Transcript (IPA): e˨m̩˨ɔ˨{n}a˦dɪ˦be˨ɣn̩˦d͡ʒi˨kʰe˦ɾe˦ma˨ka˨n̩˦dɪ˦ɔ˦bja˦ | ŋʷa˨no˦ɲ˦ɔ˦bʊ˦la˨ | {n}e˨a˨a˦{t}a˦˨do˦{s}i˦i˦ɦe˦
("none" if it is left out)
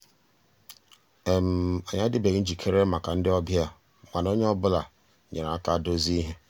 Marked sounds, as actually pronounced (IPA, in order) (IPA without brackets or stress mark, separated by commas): ɲ, ɲ, k, z